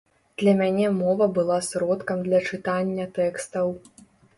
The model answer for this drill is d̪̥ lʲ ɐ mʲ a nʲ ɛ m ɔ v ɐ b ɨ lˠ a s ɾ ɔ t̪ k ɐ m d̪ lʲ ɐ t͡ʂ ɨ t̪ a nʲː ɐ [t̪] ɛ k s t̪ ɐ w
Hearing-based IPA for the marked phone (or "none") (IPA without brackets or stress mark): t̪